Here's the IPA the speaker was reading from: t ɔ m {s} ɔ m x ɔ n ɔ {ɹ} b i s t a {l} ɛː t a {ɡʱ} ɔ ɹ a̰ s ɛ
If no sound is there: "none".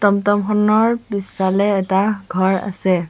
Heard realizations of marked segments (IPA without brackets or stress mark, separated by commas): t, ɹ, l, ɡʱ